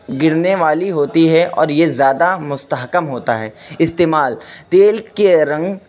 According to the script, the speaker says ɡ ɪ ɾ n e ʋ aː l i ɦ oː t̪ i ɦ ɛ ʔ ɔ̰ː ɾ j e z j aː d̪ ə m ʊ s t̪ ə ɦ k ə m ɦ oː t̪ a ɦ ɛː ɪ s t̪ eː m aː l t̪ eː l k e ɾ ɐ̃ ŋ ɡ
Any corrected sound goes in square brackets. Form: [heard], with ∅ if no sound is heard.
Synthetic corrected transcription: ɡ ɪ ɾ n e ʋ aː l i ɦ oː t̪ i ɦ ɛ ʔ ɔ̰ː ɾ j e z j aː d̪ [a] m ʊ s t̪ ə ɦ k ə m ɦ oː t̪ a ɦ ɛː ɪ s t̪ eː m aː l t̪ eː l k e ɾ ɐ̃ ŋ ɡ

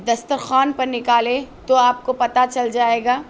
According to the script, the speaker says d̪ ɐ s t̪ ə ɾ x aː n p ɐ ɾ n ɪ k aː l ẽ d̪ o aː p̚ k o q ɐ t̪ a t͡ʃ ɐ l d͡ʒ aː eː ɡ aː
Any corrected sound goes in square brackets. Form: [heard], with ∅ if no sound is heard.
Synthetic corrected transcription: d̪ ɐ s t̪ ə ɾ x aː n p ɐ ɾ n ɪ k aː l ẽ [t̪] o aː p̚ k o [p] ɐ t̪ a t͡ʃ ɐ l d͡ʒ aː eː ɡ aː

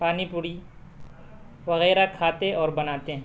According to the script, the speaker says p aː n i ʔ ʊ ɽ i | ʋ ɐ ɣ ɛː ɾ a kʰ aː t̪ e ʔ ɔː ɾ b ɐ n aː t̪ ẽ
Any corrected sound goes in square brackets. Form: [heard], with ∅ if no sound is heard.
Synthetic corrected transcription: p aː n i [p] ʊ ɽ i | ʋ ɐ ɣ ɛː ɾ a kʰ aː t̪ e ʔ ɔː ɾ b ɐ n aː t̪ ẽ

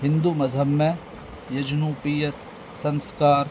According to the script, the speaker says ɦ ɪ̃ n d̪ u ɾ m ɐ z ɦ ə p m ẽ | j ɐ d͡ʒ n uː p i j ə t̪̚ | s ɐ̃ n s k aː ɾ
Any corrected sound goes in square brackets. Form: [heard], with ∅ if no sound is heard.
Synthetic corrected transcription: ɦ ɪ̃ n d̪ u [∅] m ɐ z ɦ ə [b] m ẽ | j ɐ d͡ʒ n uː p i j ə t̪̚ | s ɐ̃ n s k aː ɾ

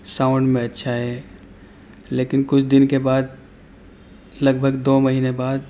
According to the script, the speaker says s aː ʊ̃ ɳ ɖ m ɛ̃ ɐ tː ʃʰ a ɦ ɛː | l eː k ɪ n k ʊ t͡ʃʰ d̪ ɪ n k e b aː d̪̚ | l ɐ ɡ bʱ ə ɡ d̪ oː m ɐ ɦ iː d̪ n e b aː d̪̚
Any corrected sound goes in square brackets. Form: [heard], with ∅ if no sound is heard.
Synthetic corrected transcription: s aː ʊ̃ ɳ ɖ m [ẽ] ɐ tː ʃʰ a ɦ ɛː | l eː k ɪ n k ʊ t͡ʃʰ d̪ ɪ n k e b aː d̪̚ | l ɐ ɡ bʱ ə ɡ d̪ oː m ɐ ɦ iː [∅] n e b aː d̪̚

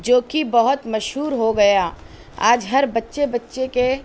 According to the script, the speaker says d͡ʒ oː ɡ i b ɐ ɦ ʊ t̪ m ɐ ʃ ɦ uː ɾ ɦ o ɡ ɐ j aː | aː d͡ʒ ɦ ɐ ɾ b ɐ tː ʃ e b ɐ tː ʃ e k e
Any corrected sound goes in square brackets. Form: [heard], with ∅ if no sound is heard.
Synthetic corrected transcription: d͡ʒ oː [k] i b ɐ ɦ ʊ t̪ m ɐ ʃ ɦ uː ɾ ɦ o ɡ ɐ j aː | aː d͡ʒ ɦ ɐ ɾ b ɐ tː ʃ e b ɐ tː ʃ e k e

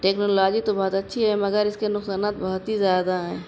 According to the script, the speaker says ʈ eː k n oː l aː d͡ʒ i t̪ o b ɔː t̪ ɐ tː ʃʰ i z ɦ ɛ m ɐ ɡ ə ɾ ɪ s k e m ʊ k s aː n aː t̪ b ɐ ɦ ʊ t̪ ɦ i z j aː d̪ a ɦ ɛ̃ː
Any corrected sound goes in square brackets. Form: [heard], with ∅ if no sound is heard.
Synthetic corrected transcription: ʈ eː k n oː l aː d͡ʒ i t̪ o b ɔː t̪ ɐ tː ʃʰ i [∅] ɦ ɛ m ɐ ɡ ə ɾ ɪ s k e [n] ʊ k s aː n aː t̪ b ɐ ɦ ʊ t̪ ɦ i z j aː d̪ a ɦ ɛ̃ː

